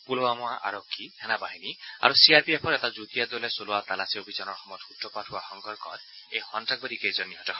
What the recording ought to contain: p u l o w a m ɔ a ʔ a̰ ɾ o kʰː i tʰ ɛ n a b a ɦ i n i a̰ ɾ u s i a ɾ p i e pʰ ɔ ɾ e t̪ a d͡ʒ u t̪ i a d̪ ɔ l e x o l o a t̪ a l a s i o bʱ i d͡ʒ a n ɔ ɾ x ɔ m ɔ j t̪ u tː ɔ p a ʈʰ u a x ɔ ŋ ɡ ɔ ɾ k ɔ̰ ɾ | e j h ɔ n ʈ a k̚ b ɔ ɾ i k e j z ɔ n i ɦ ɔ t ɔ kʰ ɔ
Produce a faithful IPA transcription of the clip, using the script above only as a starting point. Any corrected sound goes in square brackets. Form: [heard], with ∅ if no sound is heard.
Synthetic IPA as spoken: p u l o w a m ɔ a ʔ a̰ ɾ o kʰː i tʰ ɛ n a b a ɦ i n i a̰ ɾ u s i a ɾ p i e pʰ ɔ ɾ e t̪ a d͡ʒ u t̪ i a d̪ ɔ l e [s] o l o a t̪ a l a s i o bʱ i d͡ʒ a n ɔ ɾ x ɔ m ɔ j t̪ u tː ɔ p a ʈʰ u a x ɔ ŋ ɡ ɔ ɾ k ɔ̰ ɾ | e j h ɔ n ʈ a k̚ b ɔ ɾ i k e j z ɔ n i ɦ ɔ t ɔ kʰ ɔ